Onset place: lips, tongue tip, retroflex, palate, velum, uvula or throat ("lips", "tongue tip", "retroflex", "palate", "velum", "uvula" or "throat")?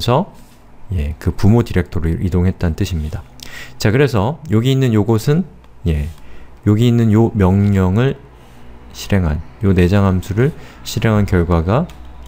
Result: tongue tip